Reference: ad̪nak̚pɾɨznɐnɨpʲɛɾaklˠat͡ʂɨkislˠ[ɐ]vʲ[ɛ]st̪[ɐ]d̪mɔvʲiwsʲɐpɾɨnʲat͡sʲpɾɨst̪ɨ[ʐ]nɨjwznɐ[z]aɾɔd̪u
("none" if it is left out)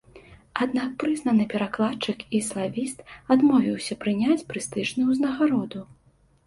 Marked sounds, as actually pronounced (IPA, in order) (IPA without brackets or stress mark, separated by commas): a, i, a, ʐ, ɣ